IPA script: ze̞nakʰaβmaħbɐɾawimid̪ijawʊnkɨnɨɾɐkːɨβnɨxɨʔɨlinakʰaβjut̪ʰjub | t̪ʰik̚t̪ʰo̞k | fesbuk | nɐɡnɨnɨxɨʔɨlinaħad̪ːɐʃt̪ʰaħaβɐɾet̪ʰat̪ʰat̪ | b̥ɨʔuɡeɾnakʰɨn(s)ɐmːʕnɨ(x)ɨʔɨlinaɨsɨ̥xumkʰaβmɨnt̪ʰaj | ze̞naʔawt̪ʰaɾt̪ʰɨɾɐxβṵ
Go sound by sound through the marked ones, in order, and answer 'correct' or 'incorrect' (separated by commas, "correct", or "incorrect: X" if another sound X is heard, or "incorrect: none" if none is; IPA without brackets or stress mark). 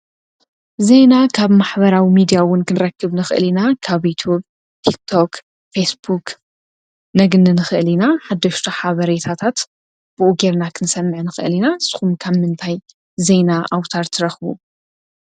correct, correct